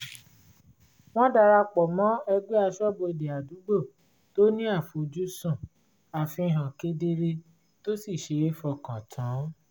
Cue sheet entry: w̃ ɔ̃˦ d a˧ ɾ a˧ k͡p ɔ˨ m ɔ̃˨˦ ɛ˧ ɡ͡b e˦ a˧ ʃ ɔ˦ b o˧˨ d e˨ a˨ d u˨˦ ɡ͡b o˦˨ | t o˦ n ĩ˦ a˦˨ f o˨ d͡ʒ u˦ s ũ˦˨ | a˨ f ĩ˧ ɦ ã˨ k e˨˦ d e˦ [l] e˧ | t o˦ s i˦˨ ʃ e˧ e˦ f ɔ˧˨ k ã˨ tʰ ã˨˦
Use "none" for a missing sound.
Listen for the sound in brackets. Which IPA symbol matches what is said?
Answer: ɾ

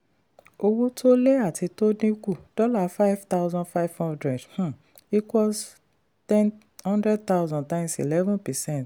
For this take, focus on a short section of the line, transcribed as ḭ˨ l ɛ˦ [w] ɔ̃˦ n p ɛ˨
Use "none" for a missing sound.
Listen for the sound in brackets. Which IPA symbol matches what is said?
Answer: v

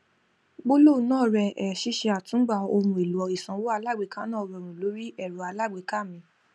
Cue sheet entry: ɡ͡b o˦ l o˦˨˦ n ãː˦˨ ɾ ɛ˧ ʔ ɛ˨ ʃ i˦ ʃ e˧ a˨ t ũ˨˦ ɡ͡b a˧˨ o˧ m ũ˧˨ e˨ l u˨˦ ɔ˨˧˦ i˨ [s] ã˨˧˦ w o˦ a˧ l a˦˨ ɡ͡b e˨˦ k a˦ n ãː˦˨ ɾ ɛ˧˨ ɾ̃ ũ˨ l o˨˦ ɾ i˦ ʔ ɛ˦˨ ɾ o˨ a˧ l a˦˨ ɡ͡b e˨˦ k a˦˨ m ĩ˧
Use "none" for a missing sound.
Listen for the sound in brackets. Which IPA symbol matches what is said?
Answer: s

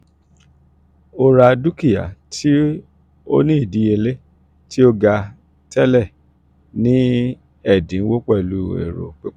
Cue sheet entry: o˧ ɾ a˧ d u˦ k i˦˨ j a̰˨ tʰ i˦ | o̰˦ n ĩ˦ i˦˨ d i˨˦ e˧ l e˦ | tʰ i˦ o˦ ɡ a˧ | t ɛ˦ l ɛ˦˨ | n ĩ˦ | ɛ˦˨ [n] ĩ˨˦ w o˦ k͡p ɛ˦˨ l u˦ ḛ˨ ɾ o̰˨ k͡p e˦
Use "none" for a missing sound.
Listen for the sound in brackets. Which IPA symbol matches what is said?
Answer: d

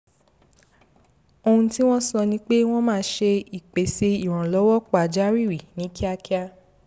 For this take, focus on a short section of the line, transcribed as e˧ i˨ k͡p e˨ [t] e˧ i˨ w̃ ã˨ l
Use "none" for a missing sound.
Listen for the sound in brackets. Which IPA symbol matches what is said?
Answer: s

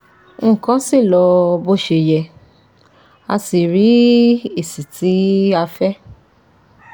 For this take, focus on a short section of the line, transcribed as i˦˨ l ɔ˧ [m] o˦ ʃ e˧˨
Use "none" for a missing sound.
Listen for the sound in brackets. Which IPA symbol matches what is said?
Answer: b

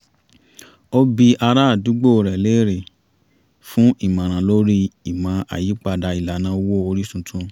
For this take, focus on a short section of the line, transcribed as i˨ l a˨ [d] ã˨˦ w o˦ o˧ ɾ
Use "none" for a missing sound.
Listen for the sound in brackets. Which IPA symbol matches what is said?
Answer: n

